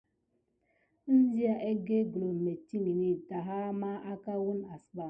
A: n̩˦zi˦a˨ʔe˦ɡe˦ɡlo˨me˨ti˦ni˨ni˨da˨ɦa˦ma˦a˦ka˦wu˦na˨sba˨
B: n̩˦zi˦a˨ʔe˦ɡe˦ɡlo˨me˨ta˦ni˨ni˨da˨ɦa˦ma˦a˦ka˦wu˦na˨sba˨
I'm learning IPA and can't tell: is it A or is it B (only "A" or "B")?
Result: A